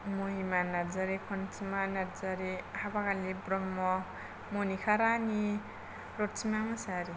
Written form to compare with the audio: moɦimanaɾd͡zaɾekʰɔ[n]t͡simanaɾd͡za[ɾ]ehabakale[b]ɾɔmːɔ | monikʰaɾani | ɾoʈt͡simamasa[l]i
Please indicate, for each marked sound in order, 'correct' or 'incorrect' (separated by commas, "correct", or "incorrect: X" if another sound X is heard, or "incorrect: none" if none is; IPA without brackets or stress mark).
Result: correct, correct, correct, incorrect: ɾ